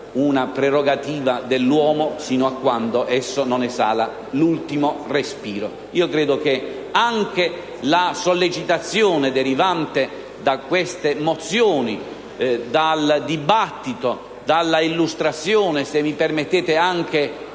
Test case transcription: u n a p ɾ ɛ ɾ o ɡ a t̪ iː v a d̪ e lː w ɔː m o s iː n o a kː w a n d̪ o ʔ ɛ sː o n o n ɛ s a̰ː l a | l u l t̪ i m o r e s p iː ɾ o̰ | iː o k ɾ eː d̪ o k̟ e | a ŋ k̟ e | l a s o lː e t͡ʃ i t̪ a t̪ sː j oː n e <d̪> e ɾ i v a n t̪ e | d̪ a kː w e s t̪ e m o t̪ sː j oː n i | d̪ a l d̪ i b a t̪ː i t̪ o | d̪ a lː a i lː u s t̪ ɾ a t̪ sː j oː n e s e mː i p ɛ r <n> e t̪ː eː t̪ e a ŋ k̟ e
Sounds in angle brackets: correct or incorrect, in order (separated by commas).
correct, incorrect